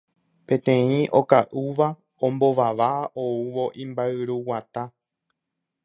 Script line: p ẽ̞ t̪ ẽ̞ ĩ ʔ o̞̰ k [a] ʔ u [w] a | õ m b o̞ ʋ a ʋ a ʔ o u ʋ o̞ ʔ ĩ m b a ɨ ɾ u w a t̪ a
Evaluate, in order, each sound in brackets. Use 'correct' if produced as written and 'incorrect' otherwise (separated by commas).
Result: correct, incorrect